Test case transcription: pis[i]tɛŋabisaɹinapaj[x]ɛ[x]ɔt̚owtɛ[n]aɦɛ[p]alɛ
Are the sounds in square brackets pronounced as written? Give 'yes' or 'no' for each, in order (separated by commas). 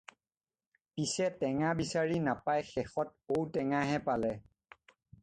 no, yes, yes, no, yes